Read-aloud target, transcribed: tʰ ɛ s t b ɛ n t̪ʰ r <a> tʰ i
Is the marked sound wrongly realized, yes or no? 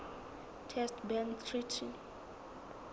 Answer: yes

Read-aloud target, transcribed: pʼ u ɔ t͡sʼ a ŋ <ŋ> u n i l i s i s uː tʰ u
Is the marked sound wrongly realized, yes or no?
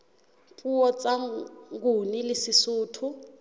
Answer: yes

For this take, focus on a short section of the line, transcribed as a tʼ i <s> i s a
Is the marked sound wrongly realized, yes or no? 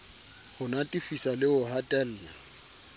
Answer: yes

